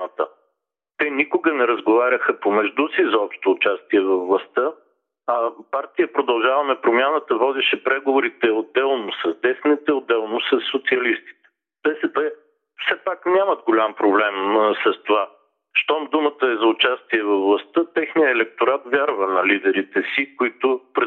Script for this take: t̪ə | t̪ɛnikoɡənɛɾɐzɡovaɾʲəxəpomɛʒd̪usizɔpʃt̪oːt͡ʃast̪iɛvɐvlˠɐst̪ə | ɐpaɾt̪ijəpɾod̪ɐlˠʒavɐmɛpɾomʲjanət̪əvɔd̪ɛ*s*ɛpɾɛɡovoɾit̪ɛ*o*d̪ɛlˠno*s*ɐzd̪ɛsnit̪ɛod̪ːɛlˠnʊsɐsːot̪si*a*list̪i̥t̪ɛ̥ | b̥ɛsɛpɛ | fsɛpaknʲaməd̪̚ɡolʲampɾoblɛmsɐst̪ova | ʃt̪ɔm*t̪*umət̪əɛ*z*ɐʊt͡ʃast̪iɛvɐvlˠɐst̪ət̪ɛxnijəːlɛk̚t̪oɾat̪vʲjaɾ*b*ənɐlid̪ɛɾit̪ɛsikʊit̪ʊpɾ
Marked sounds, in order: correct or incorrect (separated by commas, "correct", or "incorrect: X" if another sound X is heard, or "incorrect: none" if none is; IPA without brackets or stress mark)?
incorrect: ʃ, correct, correct, incorrect: ɐ, incorrect: d̪, correct, incorrect: v